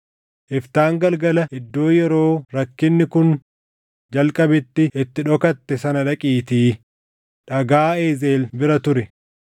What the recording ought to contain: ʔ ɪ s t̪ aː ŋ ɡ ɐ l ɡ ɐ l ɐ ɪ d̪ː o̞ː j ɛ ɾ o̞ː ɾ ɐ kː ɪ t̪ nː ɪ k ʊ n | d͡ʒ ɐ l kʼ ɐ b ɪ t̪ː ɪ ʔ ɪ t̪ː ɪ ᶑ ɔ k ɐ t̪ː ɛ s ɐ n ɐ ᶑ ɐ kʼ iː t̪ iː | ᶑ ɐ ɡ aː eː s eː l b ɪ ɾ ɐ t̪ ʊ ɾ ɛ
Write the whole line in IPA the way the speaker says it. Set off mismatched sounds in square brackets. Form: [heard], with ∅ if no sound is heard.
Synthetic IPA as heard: ʔ ɪ [f] t̪ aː ŋ ɡ ɐ l ɡ ɐ l ɐ ɪ d̪ː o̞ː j ɛ ɾ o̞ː ɾ ɐ kː ɪ [∅] nː ɪ k ʊ n | d͡ʒ ɐ l kʼ ɐ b ɪ t̪ː ɪ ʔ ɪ t̪ː ɪ ᶑ ɔ k ɐ t̪ː ɛ s ɐ n ɐ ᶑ ɐ kʼ iː t̪ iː | ᶑ ɐ ɡ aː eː [z] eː l b ɪ ɾ ɐ t̪ ʊ ɾ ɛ